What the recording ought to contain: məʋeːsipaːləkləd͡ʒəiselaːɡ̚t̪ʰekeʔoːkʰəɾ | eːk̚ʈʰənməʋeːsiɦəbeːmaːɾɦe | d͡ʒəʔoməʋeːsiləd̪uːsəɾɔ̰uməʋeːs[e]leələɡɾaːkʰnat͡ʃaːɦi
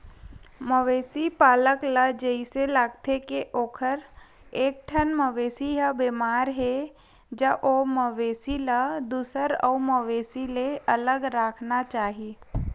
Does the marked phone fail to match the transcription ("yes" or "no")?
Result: yes